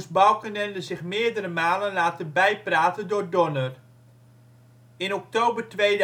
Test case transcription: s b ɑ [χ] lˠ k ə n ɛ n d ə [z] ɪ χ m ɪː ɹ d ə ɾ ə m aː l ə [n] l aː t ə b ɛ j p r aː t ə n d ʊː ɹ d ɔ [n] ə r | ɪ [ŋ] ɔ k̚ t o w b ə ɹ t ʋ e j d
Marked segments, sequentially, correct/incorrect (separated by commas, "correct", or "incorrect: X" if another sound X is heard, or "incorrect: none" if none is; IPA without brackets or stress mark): incorrect: none, correct, correct, correct, incorrect: n